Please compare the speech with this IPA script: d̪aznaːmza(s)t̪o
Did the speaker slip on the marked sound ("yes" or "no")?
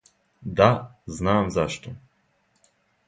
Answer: yes